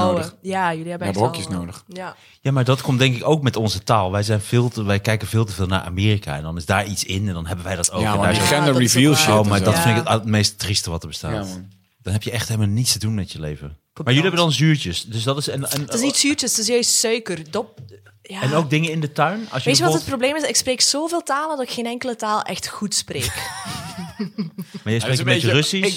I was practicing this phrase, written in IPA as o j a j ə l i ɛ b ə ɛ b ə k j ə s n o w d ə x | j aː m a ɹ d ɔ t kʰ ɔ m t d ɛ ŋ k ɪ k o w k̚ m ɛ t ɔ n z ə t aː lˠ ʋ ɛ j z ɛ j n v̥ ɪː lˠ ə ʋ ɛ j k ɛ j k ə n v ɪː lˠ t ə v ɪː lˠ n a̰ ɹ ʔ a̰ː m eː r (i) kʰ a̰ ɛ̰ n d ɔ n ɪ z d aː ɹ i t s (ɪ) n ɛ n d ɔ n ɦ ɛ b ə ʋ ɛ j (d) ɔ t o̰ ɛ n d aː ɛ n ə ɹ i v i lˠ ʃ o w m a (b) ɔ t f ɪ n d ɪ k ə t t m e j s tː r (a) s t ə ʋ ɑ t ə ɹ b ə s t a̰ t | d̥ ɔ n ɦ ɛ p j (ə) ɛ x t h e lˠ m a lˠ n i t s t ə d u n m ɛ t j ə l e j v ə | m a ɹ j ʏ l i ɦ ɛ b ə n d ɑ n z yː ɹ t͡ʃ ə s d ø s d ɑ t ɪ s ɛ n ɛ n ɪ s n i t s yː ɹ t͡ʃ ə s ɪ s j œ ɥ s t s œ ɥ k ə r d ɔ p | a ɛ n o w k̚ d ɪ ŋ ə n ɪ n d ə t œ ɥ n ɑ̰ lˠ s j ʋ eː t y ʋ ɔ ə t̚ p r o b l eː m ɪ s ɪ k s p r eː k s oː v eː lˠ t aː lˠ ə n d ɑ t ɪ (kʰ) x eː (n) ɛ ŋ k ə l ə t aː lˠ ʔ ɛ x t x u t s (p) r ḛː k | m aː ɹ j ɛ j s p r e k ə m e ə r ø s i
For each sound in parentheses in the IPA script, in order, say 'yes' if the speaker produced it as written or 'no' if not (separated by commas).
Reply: yes, yes, yes, no, no, yes, no, yes, yes